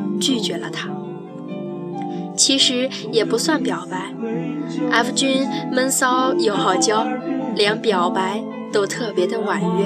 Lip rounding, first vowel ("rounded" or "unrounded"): rounded